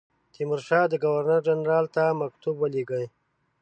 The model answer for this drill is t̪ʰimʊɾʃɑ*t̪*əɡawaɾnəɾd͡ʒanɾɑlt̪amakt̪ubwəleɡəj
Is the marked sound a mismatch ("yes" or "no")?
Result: yes